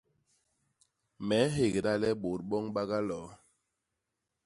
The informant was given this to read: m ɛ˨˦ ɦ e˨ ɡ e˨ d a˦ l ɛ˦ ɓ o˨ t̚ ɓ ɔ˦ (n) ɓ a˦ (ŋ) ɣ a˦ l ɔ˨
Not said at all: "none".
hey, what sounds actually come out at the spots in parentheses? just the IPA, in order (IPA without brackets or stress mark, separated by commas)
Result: ŋ, none